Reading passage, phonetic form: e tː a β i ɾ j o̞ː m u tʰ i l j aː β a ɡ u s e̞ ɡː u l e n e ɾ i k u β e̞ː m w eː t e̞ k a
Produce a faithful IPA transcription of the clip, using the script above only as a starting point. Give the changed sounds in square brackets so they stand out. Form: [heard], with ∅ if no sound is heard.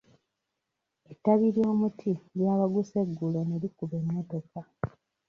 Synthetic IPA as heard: e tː a β i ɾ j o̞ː m u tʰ i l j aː β a ɡ u s e̞ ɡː u l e n e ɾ i k u β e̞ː m w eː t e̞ k a